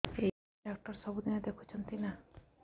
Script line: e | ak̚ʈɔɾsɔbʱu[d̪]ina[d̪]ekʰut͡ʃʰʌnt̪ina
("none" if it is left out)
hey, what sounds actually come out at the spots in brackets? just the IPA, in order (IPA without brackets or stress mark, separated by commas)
d̪, d̪